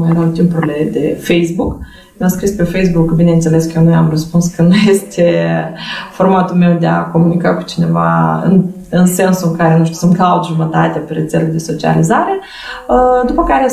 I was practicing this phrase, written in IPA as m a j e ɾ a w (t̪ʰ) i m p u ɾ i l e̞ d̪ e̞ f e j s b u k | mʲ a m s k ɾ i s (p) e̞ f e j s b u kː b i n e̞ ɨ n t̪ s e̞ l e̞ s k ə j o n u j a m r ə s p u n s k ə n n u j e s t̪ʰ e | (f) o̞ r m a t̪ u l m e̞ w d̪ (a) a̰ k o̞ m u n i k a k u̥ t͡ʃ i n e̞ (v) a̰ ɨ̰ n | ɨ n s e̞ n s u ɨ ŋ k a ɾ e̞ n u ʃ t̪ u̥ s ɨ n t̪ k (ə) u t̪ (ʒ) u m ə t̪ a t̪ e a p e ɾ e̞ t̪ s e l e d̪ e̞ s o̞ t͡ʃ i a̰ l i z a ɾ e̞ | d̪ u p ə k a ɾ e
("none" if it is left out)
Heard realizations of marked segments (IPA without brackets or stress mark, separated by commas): t̪, p, f, e, v, a, ʒ